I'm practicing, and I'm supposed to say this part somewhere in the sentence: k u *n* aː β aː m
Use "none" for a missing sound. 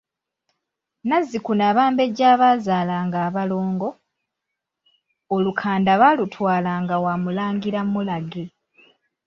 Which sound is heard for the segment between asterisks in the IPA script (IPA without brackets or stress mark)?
n